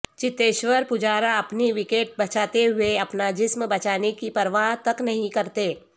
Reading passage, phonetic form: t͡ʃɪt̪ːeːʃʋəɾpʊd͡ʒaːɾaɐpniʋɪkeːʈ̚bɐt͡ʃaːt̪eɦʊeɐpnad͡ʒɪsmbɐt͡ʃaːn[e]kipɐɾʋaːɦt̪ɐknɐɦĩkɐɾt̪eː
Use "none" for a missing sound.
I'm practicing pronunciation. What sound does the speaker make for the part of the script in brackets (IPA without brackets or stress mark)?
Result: e